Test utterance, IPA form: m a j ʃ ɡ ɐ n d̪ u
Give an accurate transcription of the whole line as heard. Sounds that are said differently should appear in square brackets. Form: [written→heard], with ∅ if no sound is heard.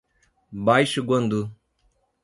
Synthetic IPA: [m→b] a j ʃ ɡ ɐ n d̪ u